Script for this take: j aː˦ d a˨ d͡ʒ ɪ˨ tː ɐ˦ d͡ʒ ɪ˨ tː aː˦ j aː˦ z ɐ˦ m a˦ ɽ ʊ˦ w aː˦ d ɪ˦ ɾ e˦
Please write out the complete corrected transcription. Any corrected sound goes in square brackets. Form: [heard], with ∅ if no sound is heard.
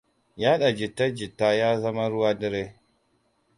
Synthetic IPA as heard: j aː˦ [ɗ] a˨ d͡ʒ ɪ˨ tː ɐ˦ d͡ʒ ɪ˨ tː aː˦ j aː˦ z ɐ˦ m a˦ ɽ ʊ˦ w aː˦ d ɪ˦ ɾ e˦